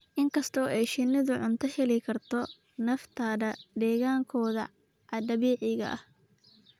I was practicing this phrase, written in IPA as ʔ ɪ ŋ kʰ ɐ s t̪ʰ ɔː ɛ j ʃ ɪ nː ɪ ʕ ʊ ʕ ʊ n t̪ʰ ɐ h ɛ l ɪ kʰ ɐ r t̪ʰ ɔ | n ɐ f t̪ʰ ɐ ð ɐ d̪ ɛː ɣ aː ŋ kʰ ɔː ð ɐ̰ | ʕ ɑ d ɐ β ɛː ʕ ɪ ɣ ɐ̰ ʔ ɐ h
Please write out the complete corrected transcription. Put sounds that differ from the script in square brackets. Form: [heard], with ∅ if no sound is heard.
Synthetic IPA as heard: ʔ ɪ ŋ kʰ ɐ s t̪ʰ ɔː ɛ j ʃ ɪ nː ɪ [ð] ʊ ʕ ʊ n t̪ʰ ɐ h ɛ l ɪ kʰ ɐ r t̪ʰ ɔ | n ɐ f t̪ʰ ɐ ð ɐ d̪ ɛː ɣ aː ŋ kʰ ɔː ð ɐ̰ | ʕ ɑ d ɐ β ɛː ʕ ɪ ɣ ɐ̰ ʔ ɐ h